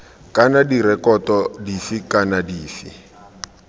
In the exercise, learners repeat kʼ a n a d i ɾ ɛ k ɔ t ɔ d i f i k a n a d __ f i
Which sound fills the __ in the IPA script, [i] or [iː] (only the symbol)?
iː